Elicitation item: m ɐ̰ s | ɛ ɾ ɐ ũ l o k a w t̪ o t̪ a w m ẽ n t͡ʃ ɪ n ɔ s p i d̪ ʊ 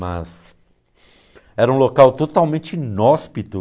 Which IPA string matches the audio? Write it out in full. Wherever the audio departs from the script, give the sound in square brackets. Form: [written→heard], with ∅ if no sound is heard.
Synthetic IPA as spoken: m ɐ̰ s | ɛ ɾ ɐ ũ l o k a w t̪ o t̪ a w m ẽ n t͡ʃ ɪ n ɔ s p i [d̪→t̪] ʊ